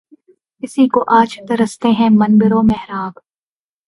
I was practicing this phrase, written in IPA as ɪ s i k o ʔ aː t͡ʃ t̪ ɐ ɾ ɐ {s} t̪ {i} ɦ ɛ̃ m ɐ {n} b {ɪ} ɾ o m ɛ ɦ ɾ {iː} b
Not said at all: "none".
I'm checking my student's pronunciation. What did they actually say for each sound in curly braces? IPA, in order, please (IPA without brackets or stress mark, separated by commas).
s, e, n, ɪ, aː